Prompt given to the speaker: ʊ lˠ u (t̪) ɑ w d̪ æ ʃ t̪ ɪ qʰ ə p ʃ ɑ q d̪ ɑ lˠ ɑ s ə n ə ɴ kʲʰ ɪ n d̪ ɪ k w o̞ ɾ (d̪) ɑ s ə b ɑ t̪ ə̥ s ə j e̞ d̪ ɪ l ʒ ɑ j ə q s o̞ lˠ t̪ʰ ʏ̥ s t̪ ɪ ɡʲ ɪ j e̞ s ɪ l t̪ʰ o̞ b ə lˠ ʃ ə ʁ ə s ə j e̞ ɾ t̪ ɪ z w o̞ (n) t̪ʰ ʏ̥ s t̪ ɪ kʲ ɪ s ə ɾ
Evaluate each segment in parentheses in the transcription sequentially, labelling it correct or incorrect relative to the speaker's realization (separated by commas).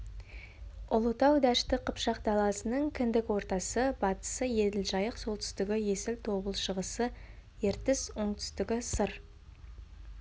correct, incorrect, incorrect